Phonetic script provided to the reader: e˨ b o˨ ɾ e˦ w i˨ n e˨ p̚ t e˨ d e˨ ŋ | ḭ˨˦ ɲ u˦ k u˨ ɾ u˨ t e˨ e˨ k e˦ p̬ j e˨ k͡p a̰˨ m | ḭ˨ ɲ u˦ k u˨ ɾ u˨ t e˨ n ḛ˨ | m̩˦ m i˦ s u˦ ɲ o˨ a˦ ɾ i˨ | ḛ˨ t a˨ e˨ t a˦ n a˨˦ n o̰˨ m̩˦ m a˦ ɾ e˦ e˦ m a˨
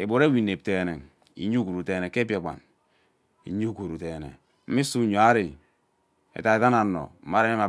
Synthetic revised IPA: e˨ b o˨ ɾ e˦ w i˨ n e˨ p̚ t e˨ n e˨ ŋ | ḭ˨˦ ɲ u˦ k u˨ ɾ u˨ t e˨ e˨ k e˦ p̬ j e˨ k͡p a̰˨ n | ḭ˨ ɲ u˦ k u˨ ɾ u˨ t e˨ n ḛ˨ | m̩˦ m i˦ s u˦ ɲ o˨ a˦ ɾ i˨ | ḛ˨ t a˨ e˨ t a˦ n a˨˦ n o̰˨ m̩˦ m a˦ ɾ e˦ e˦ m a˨